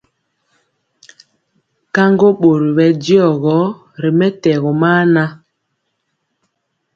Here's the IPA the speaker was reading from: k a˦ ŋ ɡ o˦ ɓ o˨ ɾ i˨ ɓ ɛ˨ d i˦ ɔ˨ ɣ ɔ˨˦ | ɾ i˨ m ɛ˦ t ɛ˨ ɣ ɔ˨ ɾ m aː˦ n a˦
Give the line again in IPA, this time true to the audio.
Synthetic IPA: k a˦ ŋ ɡ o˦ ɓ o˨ ɾ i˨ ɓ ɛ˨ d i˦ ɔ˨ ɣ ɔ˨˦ | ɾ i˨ m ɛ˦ t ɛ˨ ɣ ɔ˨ m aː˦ n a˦